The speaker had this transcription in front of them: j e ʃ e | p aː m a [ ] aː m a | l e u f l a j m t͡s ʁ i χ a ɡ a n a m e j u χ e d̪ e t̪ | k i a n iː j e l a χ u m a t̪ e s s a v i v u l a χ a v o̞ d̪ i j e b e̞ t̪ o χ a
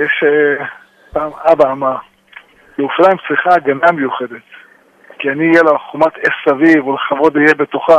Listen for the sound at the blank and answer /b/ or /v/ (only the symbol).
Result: b